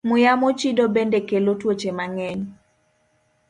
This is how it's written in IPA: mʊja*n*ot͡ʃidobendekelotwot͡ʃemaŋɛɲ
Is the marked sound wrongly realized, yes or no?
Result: yes